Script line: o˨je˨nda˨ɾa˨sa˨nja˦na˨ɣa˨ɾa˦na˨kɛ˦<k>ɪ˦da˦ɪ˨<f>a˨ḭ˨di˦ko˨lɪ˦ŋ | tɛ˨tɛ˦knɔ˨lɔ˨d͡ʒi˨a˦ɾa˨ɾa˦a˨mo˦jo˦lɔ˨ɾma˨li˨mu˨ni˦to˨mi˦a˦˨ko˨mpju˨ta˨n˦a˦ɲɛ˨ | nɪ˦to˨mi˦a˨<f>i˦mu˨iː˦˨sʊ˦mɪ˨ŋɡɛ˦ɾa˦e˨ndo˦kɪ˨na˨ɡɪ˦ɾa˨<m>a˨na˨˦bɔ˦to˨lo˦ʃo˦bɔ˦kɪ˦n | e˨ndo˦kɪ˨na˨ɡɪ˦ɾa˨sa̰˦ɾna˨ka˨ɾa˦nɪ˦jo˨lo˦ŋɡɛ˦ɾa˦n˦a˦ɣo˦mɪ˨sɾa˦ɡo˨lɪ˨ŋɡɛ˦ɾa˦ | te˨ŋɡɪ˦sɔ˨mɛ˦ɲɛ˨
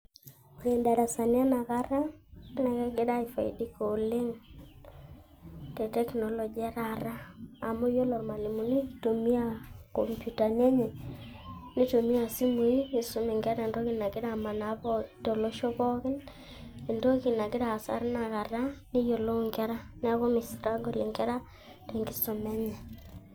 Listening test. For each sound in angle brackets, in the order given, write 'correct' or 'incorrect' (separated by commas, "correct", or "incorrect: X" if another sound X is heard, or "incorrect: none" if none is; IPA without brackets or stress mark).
incorrect: ɡ, correct, incorrect: s, correct